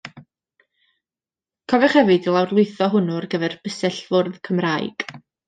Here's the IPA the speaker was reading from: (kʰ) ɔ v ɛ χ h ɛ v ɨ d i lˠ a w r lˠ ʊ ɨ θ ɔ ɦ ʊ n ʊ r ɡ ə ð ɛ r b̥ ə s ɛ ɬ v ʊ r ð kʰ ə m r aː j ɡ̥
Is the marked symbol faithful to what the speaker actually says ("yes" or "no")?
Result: yes